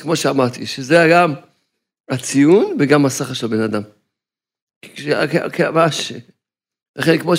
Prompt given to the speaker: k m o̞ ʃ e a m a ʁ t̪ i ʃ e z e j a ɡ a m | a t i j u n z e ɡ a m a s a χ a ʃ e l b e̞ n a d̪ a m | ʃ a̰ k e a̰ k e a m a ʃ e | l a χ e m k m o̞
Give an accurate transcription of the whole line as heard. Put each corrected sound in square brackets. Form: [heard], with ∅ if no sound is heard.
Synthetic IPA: k m o̞ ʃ e a m a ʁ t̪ i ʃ e z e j a ɡ a m | a [t͡s] i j u n [v] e ɡ a m a s a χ a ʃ e l b e̞ n a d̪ a m | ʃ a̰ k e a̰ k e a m a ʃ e | l a χ e [n] k m o̞